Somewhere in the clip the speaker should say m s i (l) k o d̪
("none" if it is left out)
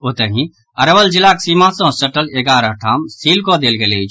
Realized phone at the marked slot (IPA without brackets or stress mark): l